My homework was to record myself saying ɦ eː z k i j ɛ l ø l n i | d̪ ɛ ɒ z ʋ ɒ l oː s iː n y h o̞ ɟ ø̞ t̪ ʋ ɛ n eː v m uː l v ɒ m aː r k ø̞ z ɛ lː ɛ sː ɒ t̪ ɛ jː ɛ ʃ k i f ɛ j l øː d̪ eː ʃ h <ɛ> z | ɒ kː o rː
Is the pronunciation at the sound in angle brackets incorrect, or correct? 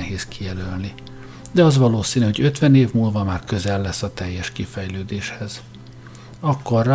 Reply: correct